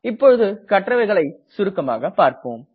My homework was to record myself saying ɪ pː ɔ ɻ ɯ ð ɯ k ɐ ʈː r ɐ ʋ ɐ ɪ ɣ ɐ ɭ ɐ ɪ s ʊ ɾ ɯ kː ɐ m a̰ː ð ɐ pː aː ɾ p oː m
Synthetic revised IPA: ɪ pː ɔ ɻ ɯ ð ɯ k ɐ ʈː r ɐ ʋ ɐ ɪ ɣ ɐ ɭ ɐ ɪ s ʊ ɾ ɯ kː ɐ m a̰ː ɣ ɐ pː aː ɾ p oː m